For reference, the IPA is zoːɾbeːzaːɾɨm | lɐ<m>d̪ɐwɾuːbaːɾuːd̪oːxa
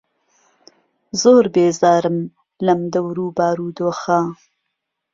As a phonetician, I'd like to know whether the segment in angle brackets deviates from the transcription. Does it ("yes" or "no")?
no